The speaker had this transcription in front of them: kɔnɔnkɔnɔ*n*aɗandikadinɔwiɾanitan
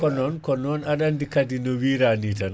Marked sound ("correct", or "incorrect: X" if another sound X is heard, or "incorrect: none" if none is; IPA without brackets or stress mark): correct